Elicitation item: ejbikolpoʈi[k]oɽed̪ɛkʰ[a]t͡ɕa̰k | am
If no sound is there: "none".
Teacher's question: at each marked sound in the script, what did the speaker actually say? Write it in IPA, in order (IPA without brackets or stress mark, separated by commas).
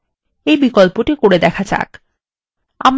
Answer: k, a